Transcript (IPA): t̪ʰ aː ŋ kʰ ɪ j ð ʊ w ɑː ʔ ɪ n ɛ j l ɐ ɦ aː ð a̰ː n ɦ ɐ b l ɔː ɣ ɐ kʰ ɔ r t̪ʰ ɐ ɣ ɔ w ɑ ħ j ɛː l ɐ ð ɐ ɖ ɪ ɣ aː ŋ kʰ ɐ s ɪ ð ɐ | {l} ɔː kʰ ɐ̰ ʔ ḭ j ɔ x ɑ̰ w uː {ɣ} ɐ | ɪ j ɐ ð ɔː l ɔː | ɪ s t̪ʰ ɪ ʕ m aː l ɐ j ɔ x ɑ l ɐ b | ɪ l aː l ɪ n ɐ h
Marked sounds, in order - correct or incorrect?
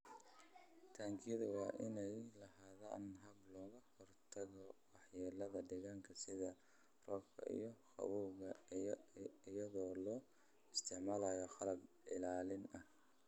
incorrect, correct

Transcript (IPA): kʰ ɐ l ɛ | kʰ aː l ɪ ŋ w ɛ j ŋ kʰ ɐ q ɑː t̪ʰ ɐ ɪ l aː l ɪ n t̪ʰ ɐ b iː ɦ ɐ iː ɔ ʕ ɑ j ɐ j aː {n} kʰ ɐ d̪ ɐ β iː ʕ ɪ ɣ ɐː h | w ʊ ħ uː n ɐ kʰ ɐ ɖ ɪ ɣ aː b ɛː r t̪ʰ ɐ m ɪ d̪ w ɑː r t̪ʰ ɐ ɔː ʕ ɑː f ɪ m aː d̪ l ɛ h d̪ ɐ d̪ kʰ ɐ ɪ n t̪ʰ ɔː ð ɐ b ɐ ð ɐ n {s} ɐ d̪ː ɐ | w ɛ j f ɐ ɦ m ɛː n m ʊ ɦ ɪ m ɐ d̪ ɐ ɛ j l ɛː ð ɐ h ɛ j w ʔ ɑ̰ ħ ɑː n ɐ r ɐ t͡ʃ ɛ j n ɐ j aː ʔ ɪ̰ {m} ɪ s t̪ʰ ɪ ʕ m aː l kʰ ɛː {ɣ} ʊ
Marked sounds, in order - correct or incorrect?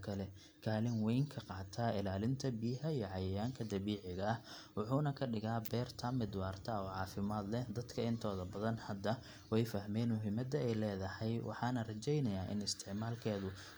incorrect, incorrect, incorrect, incorrect

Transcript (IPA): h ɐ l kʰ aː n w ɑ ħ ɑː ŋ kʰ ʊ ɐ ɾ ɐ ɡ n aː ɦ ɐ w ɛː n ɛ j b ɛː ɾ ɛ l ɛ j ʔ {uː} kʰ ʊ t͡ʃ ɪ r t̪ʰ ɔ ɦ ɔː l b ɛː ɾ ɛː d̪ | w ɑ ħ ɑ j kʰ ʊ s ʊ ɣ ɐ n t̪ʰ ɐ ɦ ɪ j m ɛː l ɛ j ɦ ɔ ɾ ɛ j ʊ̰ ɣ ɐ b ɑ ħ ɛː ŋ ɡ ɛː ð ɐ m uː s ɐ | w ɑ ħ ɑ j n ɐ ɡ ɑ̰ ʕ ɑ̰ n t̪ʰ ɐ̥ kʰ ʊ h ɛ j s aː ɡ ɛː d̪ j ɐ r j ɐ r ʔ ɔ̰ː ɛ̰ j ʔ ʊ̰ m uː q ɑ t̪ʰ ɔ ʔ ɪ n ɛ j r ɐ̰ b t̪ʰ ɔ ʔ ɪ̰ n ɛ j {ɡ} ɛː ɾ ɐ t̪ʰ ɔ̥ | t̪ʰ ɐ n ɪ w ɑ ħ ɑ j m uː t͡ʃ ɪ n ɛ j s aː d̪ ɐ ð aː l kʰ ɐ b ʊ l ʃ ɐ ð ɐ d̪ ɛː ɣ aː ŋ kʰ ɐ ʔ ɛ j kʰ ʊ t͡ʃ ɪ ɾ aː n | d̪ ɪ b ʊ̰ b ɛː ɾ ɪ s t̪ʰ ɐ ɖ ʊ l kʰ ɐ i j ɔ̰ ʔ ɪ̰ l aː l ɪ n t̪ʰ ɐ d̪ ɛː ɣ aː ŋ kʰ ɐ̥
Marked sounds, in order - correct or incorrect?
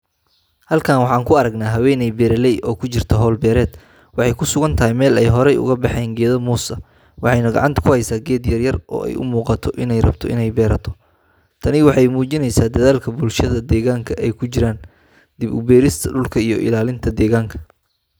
incorrect, incorrect

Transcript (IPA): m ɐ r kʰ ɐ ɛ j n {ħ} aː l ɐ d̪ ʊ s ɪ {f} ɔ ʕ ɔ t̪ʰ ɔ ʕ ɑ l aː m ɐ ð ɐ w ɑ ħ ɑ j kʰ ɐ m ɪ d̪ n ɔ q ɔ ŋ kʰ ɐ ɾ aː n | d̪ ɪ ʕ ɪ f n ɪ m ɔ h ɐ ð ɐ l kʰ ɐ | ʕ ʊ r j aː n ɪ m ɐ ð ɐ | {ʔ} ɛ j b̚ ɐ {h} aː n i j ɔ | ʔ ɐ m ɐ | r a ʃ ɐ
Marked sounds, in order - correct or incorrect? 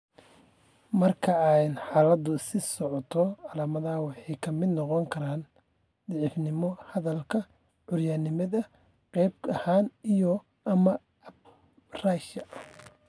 correct, incorrect, incorrect, correct

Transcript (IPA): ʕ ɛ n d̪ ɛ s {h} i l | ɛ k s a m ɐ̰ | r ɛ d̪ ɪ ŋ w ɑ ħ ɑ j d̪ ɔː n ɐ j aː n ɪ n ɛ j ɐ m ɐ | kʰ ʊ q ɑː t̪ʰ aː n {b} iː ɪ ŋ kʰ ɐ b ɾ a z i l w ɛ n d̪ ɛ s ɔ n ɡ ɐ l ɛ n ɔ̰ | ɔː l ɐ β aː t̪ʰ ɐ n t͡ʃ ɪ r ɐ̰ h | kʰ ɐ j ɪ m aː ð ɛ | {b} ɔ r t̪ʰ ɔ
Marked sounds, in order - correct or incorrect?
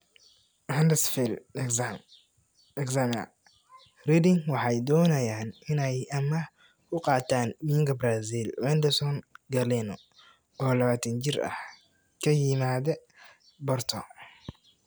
incorrect, incorrect, correct

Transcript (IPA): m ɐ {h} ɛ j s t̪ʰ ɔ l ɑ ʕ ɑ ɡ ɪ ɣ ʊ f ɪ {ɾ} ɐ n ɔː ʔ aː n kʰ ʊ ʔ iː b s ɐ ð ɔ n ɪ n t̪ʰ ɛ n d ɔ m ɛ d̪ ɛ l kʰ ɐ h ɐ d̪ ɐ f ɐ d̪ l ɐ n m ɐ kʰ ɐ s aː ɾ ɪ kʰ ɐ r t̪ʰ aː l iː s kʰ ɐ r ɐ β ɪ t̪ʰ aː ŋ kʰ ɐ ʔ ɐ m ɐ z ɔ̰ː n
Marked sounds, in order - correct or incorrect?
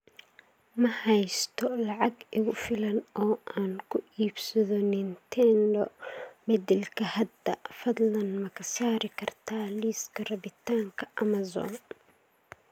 correct, incorrect

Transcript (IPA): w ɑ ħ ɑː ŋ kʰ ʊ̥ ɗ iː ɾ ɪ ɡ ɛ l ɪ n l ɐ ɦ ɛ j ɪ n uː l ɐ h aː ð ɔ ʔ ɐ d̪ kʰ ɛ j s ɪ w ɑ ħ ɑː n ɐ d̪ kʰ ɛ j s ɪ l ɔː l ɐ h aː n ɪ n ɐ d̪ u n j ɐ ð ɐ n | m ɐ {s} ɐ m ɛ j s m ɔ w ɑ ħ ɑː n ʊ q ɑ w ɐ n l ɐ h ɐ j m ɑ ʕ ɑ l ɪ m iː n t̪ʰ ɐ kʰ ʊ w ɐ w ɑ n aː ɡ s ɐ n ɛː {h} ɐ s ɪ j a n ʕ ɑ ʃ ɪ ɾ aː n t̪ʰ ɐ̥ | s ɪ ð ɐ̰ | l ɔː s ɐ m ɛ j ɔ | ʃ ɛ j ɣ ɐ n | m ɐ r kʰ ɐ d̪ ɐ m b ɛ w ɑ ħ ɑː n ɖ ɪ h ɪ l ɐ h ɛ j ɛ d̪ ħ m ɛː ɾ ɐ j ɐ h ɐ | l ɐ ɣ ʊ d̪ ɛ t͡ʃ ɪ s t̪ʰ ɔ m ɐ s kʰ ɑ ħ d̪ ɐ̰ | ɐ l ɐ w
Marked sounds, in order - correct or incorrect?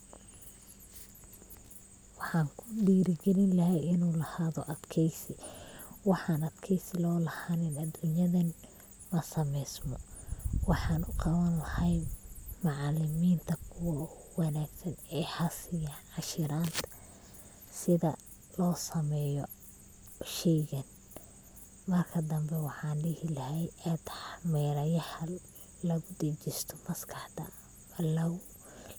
correct, correct

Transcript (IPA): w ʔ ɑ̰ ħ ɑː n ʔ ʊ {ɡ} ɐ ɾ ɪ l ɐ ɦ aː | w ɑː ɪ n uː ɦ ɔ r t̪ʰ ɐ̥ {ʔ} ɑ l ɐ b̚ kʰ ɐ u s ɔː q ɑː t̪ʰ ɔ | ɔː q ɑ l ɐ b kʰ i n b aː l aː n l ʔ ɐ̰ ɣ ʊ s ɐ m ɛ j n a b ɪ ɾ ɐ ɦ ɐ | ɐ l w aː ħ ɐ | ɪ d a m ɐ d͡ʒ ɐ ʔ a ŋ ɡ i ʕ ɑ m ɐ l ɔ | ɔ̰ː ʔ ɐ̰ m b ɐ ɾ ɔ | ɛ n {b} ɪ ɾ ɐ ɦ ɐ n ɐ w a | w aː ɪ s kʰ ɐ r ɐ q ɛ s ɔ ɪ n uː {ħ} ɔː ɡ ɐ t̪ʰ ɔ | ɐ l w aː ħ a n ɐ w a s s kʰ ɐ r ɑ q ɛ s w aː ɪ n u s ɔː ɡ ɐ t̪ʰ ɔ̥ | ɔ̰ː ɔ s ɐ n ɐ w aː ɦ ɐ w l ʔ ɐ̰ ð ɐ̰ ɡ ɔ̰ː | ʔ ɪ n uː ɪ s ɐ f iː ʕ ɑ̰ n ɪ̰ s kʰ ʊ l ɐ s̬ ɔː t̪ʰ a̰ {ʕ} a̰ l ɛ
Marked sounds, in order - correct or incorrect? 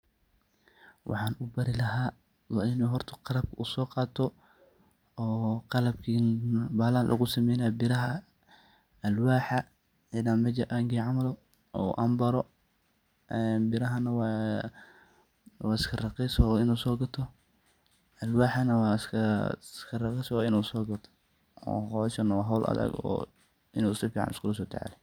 incorrect, incorrect, correct, incorrect, correct

